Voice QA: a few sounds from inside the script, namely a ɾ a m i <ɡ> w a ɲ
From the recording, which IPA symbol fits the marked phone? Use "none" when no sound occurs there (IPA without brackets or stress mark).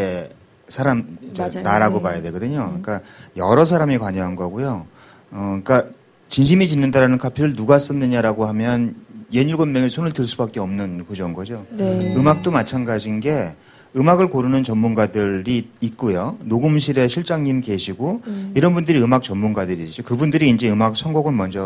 k